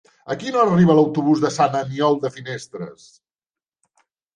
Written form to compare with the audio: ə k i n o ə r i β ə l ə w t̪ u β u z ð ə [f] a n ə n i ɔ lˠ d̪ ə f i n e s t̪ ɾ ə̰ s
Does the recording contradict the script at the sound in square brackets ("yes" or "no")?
yes